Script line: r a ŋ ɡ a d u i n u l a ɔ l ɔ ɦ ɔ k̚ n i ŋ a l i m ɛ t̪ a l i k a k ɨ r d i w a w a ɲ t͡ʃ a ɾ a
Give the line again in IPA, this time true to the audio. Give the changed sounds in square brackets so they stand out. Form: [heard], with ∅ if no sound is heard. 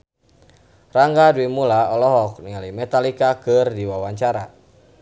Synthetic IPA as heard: r a ŋ ɡ a d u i [m] u l a ɔ l ɔ ɦ ɔ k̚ n i ŋ a l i m ɛ t̪ a l i k a k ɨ r d i w a w a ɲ t͡ʃ a ɾ a